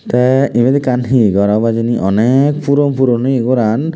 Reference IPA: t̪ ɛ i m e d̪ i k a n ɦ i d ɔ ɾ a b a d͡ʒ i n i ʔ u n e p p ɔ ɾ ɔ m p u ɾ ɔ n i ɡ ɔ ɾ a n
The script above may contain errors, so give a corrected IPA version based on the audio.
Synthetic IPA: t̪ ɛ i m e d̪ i k a n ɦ i ɡ ɔ ɾ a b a d͡ʒ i n i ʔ ɔ n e k p u ɾ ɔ m p u ɾ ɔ n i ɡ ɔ ɾ a n

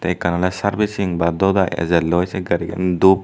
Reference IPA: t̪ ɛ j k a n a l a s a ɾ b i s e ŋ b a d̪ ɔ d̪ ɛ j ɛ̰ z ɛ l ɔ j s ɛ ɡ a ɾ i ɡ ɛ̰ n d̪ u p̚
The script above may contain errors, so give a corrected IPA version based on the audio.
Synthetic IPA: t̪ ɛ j k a n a l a s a ɾ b i s i ŋ b a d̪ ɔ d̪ a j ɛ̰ z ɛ l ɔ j s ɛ ɡ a ɾ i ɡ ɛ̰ n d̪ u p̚

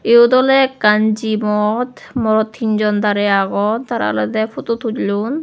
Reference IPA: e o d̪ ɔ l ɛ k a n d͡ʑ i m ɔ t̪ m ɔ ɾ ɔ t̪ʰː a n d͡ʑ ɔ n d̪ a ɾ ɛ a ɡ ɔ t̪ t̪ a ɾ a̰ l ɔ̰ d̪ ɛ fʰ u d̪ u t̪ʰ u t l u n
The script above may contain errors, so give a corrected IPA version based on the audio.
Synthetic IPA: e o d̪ ɔ l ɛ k a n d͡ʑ i m ɔ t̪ m ɔ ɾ ɔ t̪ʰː i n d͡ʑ ɔ n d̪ a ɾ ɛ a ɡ ɔ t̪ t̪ a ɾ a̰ l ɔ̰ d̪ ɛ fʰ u t̪ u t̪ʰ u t l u n

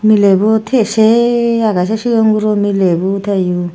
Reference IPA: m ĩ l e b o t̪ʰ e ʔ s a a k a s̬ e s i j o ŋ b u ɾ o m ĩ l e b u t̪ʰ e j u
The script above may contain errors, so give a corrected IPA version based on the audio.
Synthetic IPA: m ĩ l e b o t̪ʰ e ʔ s e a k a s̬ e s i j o ŋ ɡ u ɾ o m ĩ l e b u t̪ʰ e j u

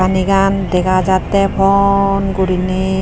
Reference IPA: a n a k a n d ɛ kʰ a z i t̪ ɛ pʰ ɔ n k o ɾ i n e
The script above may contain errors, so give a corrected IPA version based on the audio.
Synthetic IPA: a n i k a n d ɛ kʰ a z a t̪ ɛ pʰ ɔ n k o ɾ i n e

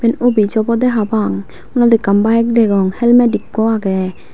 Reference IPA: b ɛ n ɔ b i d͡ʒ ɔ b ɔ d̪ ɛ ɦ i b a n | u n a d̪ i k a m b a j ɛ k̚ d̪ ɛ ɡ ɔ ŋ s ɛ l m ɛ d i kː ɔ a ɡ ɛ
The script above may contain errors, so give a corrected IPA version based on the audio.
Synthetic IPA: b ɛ n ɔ b i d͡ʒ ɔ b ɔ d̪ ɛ ɦ a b a ŋ | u n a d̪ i k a m b a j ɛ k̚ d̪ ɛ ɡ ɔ ŋ h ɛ l m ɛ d i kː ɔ a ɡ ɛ

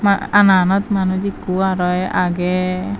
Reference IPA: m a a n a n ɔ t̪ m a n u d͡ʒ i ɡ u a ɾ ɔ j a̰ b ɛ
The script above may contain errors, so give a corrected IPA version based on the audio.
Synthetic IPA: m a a n a n ɔ t̪ m a n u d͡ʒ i k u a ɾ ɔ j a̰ ɡ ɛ

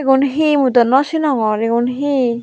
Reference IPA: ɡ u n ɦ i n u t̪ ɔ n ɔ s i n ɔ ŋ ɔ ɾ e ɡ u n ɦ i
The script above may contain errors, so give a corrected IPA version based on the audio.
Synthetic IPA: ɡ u n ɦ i m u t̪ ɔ n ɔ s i n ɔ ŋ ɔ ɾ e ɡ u n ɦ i

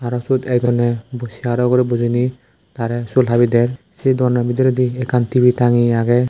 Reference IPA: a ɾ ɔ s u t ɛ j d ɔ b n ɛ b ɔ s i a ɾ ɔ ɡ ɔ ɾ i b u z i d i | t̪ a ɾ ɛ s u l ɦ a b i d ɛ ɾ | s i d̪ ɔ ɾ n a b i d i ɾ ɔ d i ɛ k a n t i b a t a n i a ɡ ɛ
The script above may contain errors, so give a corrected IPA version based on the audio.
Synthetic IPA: a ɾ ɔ s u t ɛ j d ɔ n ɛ b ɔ s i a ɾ ɔ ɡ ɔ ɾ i b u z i n i | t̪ a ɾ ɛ s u l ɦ a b i d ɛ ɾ | s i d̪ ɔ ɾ n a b i d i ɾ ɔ d i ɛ k a n t i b i t a ŋ i a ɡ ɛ

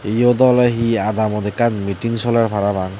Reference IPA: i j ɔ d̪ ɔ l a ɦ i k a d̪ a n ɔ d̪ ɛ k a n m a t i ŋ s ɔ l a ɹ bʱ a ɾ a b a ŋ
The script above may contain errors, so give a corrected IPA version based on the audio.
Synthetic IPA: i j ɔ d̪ ɔ l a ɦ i a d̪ a m ɔ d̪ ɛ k a n m i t i ŋ s ɔ l a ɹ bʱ a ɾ a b a ŋ

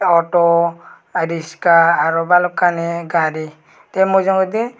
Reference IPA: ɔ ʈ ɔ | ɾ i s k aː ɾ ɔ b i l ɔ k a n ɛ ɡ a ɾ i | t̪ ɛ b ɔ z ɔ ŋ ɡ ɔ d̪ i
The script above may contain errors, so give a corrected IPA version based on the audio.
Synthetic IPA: ɔ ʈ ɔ | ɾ i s k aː ɾ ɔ b a l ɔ k a n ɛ ɡ a ɾ i | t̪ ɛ m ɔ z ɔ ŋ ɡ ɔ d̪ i

